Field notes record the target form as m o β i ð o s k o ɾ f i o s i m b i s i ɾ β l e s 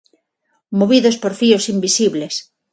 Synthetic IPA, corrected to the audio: m o β i ð o s p o ɾ f i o s i m b i s i β l e s